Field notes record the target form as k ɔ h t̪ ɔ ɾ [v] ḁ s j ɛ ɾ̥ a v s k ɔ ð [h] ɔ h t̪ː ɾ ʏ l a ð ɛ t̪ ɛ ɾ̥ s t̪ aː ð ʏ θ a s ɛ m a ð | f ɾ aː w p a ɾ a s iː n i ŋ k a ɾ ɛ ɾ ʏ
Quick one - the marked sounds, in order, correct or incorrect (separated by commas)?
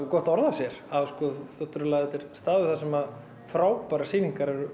incorrect, incorrect